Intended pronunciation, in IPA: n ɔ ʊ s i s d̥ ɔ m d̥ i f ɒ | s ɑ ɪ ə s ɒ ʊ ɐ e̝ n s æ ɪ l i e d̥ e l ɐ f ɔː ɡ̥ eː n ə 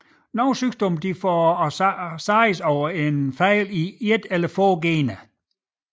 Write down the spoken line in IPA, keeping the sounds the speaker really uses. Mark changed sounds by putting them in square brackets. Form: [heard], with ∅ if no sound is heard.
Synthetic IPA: n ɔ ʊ s [y] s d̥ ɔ m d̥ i f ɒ | s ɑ ɪ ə s ɒ ʊ ɐ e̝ n [f] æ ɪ l i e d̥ e l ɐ f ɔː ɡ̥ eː n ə